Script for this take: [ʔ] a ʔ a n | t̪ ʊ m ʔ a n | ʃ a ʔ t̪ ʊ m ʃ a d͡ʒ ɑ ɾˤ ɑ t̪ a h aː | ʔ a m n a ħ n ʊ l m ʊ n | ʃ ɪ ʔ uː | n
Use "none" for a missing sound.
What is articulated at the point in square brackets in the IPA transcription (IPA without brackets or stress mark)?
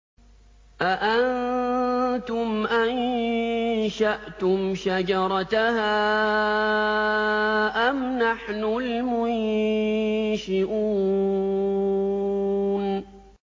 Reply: ʔ